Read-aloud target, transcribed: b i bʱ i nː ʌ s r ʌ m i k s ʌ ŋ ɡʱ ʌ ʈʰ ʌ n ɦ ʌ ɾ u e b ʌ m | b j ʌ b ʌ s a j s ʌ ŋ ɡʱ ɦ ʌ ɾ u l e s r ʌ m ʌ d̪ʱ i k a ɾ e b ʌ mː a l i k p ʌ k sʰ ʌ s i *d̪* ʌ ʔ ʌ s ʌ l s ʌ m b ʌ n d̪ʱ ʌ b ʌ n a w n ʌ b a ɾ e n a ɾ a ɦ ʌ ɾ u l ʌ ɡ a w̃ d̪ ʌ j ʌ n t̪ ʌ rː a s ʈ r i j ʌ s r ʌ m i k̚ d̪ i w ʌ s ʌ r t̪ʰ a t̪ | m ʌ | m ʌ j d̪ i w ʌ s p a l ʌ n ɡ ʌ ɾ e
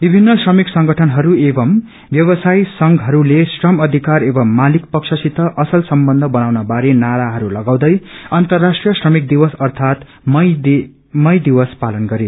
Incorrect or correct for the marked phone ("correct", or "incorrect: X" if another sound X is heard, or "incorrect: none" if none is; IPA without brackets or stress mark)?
incorrect: t̪